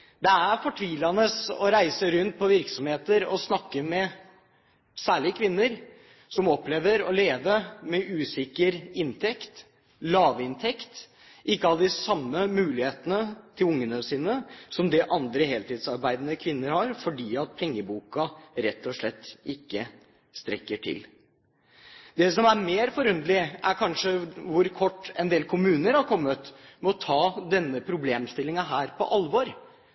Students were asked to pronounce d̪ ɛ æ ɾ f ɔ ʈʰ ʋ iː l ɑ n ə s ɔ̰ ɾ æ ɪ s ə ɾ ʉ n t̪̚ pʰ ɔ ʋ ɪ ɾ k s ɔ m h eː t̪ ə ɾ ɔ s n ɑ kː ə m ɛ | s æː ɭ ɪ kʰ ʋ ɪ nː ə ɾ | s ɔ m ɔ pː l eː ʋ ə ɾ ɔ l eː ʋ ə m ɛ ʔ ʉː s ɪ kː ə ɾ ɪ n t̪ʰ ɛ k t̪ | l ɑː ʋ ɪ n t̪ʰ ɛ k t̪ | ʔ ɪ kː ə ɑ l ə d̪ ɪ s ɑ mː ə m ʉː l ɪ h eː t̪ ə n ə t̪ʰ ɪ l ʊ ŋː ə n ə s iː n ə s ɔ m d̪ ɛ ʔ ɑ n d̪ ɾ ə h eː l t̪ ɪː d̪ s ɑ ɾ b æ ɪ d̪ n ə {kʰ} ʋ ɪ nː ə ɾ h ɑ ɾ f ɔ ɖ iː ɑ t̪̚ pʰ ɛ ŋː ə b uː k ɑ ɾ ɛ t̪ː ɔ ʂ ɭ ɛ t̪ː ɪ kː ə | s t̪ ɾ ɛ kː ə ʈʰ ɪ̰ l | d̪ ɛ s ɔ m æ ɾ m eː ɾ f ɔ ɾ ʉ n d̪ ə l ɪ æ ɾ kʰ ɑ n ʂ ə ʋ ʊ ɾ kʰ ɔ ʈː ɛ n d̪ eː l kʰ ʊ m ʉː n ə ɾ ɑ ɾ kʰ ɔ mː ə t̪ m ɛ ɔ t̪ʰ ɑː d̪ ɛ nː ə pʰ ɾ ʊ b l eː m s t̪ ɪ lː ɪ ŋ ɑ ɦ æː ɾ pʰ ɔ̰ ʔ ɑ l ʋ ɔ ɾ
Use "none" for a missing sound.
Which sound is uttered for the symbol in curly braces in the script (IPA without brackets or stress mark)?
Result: kʰ